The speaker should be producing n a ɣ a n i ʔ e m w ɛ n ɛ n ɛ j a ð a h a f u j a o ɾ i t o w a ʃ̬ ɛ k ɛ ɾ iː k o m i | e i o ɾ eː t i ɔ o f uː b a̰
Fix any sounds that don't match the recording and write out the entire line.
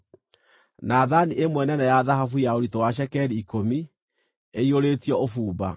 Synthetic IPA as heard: n a ð a n i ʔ e m w ɛ n ɛ n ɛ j a ð a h a f u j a o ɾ i t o w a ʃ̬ ɛ k ɛ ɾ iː k o m i | e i o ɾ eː t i ɔ o f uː b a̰